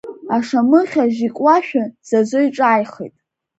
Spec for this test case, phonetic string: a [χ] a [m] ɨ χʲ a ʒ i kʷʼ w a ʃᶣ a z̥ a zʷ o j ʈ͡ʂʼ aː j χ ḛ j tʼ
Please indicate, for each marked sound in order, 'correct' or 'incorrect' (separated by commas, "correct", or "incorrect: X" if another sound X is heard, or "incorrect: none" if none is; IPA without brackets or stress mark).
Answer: incorrect: ʂ, correct